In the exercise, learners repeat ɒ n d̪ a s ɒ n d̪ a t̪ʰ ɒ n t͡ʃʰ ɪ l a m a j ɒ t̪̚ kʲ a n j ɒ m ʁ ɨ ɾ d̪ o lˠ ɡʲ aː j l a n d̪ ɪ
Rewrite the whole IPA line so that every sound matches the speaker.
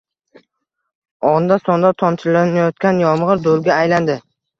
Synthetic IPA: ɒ n d̪ a s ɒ n d̪ a t̪ʰ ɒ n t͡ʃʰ ɪ l a n a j ɒ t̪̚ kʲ a n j ɒ m ʁ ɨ ɾ d̪ o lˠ ɡʲ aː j l a n d̪ ɪ